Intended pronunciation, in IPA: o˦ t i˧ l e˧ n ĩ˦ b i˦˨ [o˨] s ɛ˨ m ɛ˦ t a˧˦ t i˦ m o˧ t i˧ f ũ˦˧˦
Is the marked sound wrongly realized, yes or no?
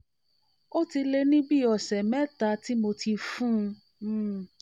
yes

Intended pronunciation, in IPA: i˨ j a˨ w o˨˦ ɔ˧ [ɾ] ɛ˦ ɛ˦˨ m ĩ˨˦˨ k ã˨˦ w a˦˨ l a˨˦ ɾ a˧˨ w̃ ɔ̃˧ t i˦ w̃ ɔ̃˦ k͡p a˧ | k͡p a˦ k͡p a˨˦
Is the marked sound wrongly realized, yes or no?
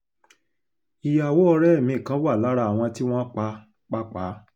no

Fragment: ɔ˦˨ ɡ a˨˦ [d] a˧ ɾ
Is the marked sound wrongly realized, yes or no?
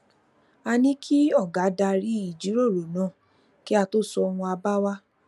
no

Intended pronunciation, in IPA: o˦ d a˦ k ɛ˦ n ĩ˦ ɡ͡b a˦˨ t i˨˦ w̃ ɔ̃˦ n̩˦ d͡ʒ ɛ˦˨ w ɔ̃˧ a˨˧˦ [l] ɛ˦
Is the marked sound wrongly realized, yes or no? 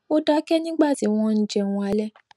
no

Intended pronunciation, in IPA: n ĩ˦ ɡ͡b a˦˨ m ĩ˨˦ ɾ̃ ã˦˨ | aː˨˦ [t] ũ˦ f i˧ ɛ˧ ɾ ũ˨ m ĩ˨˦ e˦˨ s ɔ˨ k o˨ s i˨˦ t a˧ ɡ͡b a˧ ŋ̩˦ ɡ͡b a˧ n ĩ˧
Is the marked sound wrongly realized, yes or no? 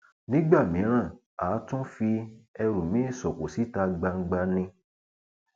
no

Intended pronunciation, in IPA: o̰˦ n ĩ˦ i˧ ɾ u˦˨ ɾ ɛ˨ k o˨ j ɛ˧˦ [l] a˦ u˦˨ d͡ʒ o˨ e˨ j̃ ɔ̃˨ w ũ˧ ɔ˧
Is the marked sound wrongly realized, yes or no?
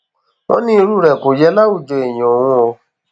no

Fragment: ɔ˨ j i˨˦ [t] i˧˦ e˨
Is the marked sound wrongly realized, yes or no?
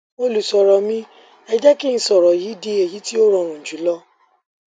yes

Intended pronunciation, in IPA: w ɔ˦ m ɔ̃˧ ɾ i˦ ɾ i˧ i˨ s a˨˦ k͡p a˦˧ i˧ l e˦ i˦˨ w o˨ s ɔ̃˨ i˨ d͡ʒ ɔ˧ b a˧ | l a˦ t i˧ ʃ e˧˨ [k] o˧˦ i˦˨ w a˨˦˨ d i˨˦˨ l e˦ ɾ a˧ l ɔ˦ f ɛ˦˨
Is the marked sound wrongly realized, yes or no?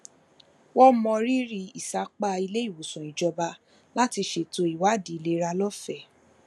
yes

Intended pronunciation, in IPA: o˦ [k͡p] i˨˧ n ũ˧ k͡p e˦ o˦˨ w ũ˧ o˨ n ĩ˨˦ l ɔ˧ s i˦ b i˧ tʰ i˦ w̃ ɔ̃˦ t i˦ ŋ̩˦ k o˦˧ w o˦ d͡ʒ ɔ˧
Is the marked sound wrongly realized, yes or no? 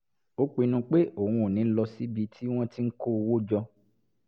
no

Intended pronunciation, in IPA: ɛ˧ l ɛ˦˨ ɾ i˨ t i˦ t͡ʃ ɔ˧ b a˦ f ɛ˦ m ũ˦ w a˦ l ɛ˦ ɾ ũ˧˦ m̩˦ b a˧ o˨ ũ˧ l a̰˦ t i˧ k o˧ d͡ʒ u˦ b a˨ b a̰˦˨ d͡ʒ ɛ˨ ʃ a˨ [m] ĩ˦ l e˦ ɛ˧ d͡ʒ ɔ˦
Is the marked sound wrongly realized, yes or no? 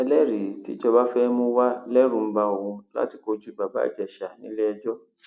yes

